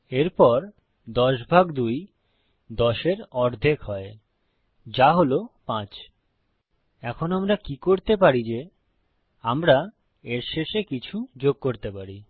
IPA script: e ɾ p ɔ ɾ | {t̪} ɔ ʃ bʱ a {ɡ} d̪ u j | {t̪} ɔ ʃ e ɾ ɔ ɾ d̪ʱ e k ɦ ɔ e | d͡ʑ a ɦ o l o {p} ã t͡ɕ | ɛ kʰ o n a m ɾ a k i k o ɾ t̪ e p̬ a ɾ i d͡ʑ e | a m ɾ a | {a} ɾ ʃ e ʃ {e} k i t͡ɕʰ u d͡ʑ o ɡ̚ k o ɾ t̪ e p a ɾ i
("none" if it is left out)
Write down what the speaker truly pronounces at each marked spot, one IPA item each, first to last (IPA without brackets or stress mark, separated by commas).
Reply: d̪, ɡ, d̪, p, e, e